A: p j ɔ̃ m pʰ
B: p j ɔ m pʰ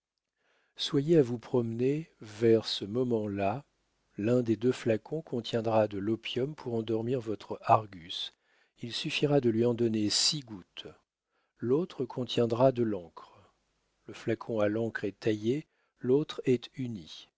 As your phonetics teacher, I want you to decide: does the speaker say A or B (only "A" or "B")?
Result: B